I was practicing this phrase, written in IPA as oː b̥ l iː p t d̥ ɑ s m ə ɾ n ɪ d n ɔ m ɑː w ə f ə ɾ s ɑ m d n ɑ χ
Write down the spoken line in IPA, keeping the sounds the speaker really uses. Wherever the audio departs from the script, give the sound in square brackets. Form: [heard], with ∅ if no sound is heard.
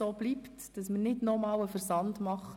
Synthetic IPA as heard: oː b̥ l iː p t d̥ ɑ s m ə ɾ n ɪ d n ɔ m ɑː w ə f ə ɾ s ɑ [n] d [m] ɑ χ